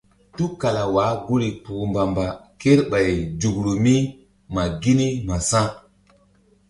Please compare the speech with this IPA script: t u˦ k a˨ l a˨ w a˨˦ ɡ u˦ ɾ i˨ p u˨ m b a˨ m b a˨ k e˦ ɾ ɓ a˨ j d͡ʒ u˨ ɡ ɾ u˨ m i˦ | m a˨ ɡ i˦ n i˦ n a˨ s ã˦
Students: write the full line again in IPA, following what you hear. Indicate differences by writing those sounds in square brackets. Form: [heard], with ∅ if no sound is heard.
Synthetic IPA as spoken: t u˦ k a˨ l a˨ w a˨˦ ɡ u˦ ɾ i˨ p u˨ m b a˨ m b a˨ k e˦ ɾ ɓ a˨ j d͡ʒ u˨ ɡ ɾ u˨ m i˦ | m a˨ ɡ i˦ n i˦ [m] a˨ s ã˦